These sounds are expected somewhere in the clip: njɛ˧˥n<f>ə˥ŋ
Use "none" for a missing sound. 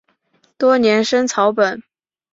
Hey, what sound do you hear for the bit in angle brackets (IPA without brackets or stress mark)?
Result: ʂ